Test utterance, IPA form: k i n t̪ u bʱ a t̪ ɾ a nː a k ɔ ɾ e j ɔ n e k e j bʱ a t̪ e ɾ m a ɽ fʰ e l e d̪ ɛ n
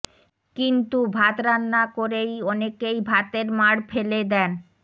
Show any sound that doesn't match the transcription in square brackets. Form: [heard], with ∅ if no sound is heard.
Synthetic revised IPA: k i n t̪ u bʱ a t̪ ɾ a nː a k [o] ɾ e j ɔ n e k e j bʱ a t̪ e ɾ m a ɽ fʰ e l e d̪ ɛ n

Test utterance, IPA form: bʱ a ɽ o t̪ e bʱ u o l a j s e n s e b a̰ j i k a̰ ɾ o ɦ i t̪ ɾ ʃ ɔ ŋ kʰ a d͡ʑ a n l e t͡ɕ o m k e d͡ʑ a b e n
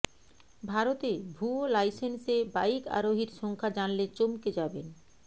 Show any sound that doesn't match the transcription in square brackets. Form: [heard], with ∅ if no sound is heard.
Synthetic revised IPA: bʱ a [ɾ] o t̪ e bʱ u o l a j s e n s e b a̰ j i k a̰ ɾ o ɦ i [∅] ɾ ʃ ɔ ŋ kʰ a d͡ʑ a n l e t͡ɕ o m k e d͡ʑ a b e n

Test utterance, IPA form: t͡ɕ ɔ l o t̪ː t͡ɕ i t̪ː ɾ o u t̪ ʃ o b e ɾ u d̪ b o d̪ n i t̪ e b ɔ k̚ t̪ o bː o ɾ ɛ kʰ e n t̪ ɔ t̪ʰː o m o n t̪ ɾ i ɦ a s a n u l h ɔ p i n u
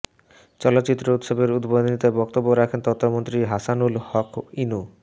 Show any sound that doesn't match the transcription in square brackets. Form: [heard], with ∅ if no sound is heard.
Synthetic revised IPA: t͡ɕ ɔ l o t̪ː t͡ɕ i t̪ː ɾ o u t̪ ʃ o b e ɾ u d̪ b o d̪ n i t̪ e b ɔ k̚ t̪ o bː o ɾ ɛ kʰ e n t̪ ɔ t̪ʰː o m o n t̪ ɾ i ɦ a s a n u l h ɔ [k] i n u

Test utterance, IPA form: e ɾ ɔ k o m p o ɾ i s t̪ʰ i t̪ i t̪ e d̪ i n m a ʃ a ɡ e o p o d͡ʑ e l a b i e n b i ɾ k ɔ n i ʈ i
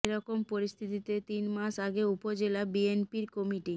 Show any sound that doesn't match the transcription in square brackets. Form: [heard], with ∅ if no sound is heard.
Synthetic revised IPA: e ɾ ɔ k o m p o ɾ i s t̪ʰ i t̪ i t̪ e [t̪] i n m a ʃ a ɡ e [u] p o d͡ʑ e l a b i e n [p] i ɾ k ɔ [m] i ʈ i

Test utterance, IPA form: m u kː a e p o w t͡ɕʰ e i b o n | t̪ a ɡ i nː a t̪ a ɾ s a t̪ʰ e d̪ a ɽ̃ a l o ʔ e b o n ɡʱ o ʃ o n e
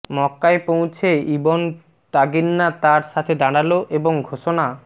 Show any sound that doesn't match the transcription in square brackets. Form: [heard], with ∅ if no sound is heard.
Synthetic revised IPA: m [ɔ] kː a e p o w t͡ɕʰ e i b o n | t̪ a ɡ i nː a t̪ a ɾ [ʃ] a t̪ʰ e d̪ a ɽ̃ a l o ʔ e b o [ŋ] ɡʱ o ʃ o n [a]

